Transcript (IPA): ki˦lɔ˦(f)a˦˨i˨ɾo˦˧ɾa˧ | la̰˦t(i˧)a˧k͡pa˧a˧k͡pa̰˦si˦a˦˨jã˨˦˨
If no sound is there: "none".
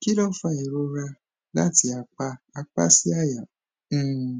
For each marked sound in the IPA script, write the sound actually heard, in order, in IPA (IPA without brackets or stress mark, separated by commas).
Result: f, i˧